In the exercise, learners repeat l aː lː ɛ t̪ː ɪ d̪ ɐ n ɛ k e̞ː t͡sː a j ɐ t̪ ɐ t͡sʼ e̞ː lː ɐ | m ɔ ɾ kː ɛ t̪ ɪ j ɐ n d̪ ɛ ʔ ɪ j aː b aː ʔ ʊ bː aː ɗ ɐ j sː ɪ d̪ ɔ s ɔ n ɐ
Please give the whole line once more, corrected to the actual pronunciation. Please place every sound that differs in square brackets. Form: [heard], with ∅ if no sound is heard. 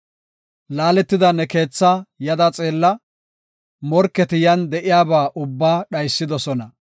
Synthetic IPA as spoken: l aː [l] ɛ t̪ː ɪ d̪ ɐ n ɛ k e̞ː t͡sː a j ɐ [d̪] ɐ t͡sʼ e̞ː lː ɐ | m ɔ ɾ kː ɛ t̪ ɪ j ɐ n d̪ ɛ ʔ ɪ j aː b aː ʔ ʊ bː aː ɗ ɐ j sː ɪ d̪ ɔ s ɔ n ɐ